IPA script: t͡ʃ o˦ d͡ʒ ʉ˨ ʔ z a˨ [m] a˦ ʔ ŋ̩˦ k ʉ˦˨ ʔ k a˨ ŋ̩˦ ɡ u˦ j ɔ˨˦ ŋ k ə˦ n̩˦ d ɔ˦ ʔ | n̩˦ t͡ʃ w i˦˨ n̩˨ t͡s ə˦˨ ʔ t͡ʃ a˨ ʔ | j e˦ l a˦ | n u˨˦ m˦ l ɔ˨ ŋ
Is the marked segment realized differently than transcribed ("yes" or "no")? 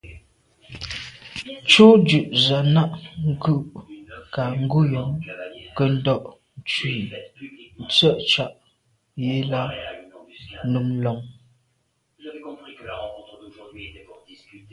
yes